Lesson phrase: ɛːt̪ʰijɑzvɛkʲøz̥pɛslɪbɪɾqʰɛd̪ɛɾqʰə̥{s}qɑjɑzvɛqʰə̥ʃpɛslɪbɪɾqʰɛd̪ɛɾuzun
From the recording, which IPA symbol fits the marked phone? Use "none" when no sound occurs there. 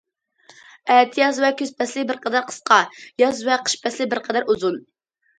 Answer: s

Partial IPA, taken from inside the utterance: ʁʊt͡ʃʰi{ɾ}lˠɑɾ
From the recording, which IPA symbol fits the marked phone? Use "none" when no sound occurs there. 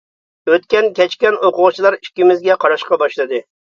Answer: none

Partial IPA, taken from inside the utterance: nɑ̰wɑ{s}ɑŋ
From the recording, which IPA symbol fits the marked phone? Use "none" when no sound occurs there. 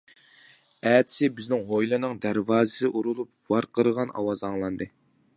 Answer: z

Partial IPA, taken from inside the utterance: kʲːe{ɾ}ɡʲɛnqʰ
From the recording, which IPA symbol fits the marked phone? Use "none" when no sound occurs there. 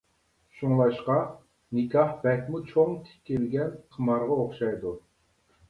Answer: l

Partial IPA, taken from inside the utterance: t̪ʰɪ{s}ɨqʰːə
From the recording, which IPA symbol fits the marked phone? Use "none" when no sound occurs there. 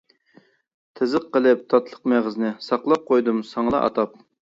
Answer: z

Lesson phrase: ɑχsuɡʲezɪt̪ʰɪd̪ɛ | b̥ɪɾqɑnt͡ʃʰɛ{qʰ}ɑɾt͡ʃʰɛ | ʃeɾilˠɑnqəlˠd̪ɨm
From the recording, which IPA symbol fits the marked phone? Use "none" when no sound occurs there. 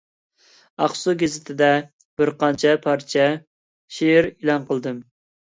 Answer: pʰ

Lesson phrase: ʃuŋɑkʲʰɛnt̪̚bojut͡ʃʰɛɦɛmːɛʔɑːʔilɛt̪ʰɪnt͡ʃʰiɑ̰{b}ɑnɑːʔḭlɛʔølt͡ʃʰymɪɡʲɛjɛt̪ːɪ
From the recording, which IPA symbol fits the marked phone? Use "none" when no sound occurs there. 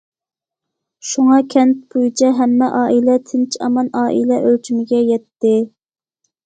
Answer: m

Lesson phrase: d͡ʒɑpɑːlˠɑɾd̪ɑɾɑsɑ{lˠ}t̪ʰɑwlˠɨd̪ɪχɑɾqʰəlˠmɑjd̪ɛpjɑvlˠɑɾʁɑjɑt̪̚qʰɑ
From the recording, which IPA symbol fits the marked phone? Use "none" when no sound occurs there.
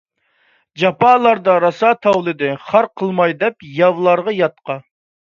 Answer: none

